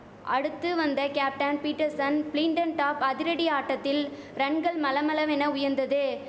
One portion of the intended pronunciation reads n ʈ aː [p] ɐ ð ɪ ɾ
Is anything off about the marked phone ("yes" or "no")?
no